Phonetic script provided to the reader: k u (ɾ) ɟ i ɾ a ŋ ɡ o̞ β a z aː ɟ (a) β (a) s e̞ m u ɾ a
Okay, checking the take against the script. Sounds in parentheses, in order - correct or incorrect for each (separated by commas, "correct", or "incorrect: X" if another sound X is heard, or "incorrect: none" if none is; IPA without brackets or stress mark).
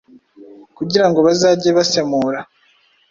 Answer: incorrect: none, incorrect: e, correct